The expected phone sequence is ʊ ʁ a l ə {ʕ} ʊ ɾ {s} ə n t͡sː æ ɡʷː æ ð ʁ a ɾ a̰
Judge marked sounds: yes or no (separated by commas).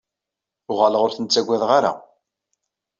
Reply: no, no